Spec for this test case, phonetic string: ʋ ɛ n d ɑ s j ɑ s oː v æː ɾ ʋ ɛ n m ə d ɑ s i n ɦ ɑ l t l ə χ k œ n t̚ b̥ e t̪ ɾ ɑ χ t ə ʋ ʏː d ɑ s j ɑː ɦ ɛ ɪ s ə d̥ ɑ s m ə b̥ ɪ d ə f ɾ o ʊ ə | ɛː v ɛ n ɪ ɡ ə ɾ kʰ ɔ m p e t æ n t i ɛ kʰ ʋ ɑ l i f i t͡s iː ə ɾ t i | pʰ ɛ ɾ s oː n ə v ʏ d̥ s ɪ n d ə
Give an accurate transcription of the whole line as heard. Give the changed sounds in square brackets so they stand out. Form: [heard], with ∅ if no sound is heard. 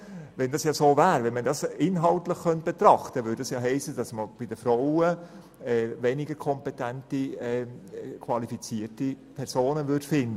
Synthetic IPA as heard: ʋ ɛ n d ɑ s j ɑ s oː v æː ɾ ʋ ɛ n m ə d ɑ s [ɪ] n ɦ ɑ l t l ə χ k œ n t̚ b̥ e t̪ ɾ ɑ χ t ə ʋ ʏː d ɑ s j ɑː ɦ ɛ ɪ s ə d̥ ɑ s m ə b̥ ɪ d ə f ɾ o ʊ ə | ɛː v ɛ n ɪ ɡ ə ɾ kʰ ɔ m p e t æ n t i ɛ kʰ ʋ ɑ l i f i t͡s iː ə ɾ t i | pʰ ɛ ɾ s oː n ə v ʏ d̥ [f] ɪ n d ə